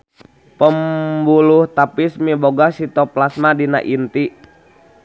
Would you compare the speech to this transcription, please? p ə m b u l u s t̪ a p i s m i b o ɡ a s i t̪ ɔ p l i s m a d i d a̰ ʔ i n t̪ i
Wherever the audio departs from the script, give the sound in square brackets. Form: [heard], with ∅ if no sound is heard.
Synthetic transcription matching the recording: p ə m b u l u [h] t̪ a p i s m i b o ɡ a s i t̪ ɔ p l [a] s m a d i [n] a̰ ʔ i n t̪ i